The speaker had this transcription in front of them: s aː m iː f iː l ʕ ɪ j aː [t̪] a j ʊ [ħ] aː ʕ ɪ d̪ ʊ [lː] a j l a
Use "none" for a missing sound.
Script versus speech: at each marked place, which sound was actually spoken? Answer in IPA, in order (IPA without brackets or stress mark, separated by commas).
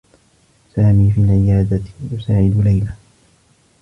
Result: d̪, s, l